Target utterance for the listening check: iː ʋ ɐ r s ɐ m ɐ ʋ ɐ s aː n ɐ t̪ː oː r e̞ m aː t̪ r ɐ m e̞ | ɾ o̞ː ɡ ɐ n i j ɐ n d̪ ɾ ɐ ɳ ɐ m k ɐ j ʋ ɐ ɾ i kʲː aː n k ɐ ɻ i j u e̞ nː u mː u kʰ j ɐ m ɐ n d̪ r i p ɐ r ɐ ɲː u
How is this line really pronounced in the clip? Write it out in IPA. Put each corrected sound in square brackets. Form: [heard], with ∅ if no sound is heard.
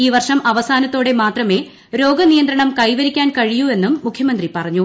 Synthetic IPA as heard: iː ʋ ɐ r [ʂ] ɐ m ɐ ʋ ɐ s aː n ɐ t̪ː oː [ɽ] e̞ m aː t̪ r ɐ m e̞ | ɾ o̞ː ɡ ɐ n i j ɐ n d̪ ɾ ɐ ɳ ɐ m k ɐ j ʋ ɐ ɾ i kʲː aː n k ɐ ɻ i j u e̞ nː u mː u kʰ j ɐ m ɐ n d̪ r i p ɐ r ɐ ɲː u

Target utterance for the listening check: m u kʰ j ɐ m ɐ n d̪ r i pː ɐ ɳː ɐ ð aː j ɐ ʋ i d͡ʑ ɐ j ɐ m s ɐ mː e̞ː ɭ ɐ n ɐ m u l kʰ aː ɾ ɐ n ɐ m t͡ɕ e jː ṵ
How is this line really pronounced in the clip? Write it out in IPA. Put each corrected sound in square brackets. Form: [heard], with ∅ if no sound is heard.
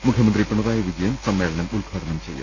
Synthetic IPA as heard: m u kʰ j ɐ m ɐ n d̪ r i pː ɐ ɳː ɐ ð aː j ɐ ʋ i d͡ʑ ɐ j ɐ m s ɐ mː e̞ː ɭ ɐ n ɐ m u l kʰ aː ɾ ɐ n ɐ m t͡ɕ e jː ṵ

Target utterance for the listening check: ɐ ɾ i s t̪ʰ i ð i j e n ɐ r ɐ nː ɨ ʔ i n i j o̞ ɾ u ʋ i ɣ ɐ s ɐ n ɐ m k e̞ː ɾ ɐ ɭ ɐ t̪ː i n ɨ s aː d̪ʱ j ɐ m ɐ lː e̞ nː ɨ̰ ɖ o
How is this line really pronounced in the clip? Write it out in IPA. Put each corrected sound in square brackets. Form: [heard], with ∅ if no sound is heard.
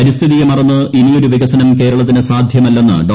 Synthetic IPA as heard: ɐ ɾ i s t̪ʰ i ð i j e [m] ɐ r ɐ nː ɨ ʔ i n i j o̞ ɾ u ʋ i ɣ ɐ s ɐ n ɐ m k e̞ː ɾ ɐ ɭ ɐ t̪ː i n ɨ s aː d̪ʱ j ɐ m ɐ lː e̞ nː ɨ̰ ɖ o

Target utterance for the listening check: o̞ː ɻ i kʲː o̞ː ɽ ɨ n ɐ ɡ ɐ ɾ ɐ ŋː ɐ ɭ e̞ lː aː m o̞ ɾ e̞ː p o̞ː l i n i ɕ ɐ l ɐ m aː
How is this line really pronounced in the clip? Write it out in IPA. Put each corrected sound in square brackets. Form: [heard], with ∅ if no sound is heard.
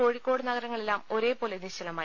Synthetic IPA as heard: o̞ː ɻ i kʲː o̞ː ɽ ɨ n ɐ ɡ ɐ ɾ ɐ ŋː ɐ ɭ e̞ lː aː m o̞ ɾ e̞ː p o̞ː l [e] n i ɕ ɐ l ɐ m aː

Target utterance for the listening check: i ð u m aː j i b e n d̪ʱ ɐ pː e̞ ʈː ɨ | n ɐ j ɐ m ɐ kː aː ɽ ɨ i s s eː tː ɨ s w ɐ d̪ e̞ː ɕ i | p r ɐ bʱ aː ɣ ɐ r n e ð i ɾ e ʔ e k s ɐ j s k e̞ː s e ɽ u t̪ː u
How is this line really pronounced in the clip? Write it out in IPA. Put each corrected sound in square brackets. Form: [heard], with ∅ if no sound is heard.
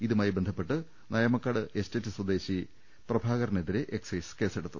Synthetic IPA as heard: i ð u m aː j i b e n d̪ʱ ɐ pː e̞ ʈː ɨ | n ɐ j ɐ m ɐ kː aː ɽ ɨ [e] s [t] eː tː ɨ s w ɐ d̪ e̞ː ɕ i | p r ɐ bʱ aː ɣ ɐ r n e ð i ɾ e ʔ e k s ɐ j s k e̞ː s e ɽ u t̪ː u

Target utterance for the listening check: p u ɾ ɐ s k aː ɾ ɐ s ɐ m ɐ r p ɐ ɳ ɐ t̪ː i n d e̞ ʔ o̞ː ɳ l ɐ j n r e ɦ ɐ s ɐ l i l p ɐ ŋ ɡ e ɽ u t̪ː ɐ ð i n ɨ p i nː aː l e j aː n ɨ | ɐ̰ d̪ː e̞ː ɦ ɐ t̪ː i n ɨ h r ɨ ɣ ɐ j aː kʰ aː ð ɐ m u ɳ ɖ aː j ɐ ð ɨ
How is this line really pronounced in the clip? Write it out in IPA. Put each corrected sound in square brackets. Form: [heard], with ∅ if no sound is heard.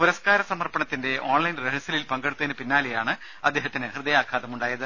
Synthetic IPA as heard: p u ɾ ɐ s k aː ɾ ɐ s ɐ m ɐ r p ɐ ɳ ɐ t̪ː i n d e̞ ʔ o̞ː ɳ l ɐ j n r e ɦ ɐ s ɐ l i l p ɐ ŋ ɡ e ɽ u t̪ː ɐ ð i n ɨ p i nː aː l e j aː [ɳ] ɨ | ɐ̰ d̪ː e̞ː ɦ ɐ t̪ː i n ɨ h r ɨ [ð] ɐ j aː kʰ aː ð ɐ m u ɳ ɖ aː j ɐ ð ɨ

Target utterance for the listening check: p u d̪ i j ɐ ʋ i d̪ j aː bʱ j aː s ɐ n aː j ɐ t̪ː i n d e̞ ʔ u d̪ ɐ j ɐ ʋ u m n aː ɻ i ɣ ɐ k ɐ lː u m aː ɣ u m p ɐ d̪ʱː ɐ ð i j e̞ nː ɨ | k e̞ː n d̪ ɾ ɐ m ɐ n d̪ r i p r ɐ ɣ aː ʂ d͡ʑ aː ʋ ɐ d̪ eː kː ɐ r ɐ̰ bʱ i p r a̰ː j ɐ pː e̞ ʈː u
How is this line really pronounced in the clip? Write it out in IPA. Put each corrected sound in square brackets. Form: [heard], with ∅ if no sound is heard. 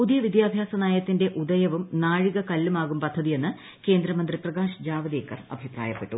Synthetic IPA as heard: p u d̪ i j ɐ ʋ i d̪ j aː bʱ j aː s ɐ n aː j ɐ t̪ː i n d e̞ ʔ u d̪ ɐ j ɐ ʋ u m n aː ɻ i ɣ ɐ k ɐ lː u m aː ɣ u m p ɐ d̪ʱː ɐ ð i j e̞ nː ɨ | k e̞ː n d̪ ɾ ɐ m ɐ n d̪ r i p r ɐ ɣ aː ʂ d͡ʑ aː ʋ ɐ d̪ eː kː ɐ r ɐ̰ bʱ i p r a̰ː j ɐ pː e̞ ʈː u

